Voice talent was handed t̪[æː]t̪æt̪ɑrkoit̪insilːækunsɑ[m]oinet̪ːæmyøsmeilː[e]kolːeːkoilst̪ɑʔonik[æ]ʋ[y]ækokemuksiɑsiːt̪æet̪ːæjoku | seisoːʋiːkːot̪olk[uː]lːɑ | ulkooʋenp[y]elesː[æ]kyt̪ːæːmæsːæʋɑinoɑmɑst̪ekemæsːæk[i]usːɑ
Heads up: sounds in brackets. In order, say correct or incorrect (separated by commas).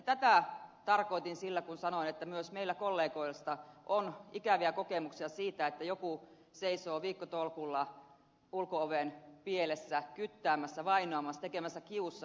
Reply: incorrect, incorrect, incorrect, correct, incorrect, incorrect, incorrect, correct, correct